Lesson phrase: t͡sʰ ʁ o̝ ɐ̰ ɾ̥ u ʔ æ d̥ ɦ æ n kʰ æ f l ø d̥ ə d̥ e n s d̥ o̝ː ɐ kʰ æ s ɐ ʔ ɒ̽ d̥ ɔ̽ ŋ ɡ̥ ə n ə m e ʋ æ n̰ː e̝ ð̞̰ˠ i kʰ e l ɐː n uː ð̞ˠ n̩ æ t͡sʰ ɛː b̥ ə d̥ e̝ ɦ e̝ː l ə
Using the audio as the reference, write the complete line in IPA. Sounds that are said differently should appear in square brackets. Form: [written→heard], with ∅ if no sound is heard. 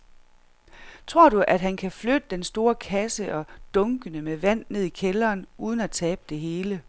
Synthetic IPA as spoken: t͡sʰ ʁ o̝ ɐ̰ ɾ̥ u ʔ æ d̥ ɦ æ n kʰ æ f l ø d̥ ə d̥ e n s d̥ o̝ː ɐ kʰ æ s [ɐ→ə] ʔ ɒ̽ d̥ ɔ̽ ŋ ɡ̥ ə n ə m e ʋ æ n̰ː e̝ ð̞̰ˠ i kʰ e l ɐː n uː ð̞ˠ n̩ æ t͡sʰ ɛː b̥ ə d̥ e̝ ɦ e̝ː l ə